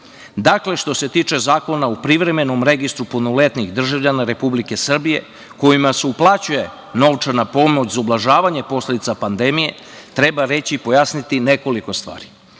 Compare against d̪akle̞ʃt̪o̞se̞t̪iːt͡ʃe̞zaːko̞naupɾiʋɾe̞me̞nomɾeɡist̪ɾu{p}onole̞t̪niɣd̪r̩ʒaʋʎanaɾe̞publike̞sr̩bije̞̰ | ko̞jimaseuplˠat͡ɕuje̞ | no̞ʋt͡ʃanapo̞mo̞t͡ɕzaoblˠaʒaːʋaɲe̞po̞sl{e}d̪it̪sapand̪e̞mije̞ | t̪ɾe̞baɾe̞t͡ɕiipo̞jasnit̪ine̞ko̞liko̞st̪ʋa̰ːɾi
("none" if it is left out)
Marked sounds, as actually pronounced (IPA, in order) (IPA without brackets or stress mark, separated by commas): p, e